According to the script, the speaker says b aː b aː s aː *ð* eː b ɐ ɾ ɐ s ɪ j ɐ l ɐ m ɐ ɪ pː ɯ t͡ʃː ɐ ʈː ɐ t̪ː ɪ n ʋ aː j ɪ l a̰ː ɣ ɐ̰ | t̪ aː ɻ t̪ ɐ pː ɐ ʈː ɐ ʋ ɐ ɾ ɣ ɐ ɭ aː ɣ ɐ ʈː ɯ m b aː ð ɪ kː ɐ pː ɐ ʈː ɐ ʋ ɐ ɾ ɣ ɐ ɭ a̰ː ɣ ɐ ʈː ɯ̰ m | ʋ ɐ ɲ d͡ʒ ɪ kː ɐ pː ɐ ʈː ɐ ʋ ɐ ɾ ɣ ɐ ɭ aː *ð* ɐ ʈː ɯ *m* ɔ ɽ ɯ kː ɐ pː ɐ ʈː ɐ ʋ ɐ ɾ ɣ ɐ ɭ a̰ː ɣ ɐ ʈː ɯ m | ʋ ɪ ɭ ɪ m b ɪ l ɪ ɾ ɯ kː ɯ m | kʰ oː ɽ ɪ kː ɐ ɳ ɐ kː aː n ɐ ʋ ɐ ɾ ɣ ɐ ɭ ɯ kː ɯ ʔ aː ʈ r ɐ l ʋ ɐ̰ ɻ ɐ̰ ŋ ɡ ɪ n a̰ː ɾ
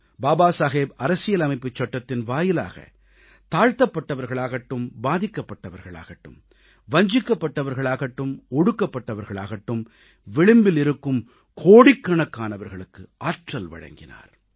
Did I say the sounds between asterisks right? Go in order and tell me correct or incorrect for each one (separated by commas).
incorrect, incorrect, correct